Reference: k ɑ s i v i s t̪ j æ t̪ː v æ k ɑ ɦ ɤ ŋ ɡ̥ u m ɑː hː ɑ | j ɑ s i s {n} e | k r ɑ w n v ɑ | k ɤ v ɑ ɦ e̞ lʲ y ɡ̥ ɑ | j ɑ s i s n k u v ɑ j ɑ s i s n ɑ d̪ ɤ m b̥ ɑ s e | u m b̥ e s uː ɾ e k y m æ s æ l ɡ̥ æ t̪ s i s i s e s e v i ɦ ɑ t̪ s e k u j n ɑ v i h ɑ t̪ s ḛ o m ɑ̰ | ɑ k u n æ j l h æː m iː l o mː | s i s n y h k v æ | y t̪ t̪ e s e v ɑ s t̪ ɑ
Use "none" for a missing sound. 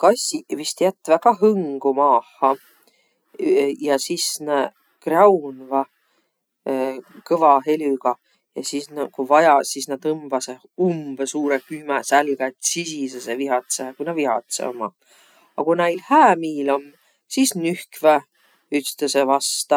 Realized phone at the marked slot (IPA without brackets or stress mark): n